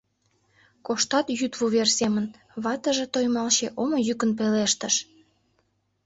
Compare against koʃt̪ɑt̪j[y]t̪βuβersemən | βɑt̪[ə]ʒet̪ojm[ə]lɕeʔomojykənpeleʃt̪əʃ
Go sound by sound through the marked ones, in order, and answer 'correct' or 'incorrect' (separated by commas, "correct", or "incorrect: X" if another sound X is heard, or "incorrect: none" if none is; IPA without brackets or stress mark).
correct, correct, incorrect: ɑ